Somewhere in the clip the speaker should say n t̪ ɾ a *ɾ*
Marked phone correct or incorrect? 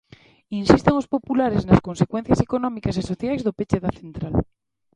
incorrect: l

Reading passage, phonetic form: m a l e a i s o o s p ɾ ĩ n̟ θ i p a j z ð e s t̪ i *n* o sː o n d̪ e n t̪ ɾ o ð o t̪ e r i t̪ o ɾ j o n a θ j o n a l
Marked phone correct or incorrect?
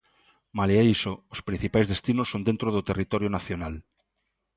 correct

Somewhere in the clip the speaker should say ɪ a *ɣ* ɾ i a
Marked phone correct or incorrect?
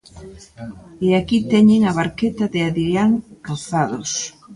incorrect: ð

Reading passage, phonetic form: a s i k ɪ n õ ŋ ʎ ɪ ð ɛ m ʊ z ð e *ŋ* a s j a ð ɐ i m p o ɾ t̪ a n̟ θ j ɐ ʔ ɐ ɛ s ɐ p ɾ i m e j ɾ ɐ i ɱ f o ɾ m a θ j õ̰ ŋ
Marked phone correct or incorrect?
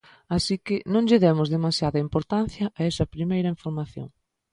incorrect: m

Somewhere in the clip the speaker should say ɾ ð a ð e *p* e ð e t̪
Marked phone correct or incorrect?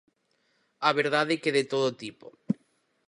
incorrect: k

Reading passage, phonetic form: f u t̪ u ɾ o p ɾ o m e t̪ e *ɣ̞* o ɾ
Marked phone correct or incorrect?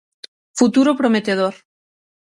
incorrect: ð̞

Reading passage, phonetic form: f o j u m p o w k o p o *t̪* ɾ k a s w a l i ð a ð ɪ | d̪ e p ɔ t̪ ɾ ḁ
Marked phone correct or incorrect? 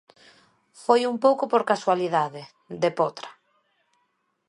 incorrect: none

